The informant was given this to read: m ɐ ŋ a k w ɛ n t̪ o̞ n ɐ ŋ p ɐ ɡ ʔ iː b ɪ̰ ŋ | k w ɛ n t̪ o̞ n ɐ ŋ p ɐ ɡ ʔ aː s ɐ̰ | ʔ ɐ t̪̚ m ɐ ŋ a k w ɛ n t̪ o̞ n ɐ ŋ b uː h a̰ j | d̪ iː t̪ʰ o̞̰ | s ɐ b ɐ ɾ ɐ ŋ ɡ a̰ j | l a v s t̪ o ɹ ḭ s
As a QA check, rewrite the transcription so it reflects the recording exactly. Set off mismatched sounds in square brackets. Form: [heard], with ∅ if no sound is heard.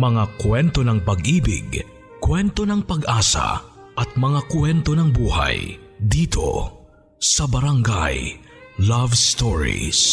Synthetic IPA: m ɐ ŋ a k w ɛ n t̪ o̞ n ɐ ŋ p ɐ ɡ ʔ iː b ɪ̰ [ɡ] | k w ɛ n t̪ o̞ n ɐ ŋ p ɐ ɡ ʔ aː s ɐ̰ | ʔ ɐ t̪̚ m ɐ ŋ a k w ɛ n t̪ o̞ n ɐ ŋ b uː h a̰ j | d̪ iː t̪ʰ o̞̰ | s ɐ b ɐ ɾ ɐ ŋ ɡ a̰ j | l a v s t̪ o ɹ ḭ s